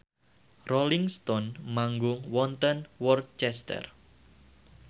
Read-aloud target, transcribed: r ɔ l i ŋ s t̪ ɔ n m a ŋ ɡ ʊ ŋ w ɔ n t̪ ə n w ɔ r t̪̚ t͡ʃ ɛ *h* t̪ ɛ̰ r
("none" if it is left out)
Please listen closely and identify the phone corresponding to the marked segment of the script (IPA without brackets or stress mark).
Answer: s